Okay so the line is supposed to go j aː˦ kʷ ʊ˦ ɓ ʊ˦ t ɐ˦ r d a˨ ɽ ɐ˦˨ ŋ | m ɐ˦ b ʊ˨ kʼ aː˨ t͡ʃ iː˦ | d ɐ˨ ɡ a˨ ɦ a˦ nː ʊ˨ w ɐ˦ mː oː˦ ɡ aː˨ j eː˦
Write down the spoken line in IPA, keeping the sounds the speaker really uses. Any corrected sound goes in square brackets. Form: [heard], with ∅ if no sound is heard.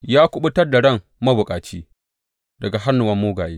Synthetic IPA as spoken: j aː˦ kʷ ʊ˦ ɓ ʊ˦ t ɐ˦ r d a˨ ɽ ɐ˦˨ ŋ | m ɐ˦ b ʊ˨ kʼ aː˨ t͡ʃ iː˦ | d ɐ˨ ɡ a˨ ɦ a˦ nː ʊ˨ w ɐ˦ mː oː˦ ɡ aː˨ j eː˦